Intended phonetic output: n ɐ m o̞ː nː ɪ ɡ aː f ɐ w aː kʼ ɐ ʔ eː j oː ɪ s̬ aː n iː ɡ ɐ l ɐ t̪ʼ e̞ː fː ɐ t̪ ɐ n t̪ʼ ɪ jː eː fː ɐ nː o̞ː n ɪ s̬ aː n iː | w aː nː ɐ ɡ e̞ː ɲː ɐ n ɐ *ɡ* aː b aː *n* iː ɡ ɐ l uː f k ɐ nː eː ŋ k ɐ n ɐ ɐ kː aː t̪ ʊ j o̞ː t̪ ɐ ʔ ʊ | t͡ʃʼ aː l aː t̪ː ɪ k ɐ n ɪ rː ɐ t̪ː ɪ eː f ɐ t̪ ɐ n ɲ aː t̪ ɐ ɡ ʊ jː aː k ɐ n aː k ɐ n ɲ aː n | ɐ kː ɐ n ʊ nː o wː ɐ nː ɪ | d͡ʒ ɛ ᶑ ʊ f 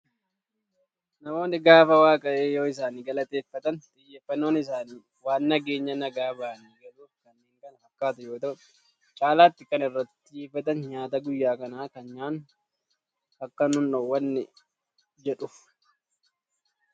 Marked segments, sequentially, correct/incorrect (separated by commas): correct, correct